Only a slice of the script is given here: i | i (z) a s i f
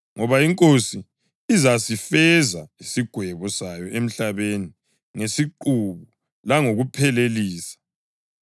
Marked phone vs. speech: correct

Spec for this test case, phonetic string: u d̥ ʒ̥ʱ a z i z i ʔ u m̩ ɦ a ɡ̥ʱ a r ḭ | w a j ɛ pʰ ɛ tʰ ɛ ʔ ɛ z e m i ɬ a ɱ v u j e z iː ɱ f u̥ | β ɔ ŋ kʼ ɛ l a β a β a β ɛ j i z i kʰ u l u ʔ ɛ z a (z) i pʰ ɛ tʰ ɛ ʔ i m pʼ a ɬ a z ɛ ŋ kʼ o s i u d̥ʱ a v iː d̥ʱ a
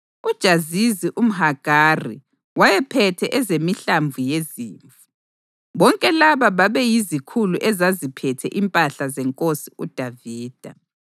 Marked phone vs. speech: correct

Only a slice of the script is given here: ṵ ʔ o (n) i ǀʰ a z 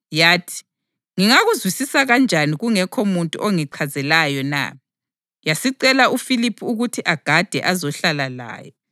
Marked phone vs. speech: incorrect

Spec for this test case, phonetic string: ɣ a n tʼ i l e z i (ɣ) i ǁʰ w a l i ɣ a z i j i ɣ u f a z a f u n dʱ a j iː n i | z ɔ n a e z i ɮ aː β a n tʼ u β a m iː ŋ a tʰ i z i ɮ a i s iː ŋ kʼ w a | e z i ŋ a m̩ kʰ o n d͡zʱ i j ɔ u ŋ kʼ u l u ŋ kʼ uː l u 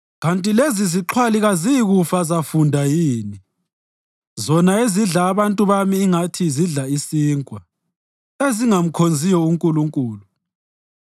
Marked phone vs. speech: incorrect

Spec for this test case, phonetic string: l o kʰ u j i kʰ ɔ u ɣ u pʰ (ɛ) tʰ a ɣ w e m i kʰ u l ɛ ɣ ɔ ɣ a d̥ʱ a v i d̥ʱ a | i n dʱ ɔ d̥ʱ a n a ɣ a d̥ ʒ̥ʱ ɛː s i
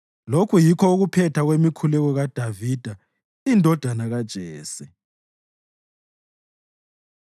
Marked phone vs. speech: correct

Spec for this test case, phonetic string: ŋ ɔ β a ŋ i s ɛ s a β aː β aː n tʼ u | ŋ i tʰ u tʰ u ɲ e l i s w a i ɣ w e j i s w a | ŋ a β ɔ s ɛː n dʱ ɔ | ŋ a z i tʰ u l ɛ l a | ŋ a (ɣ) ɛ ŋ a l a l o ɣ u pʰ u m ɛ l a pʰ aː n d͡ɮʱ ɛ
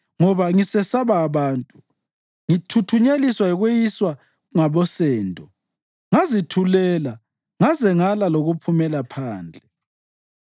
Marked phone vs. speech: incorrect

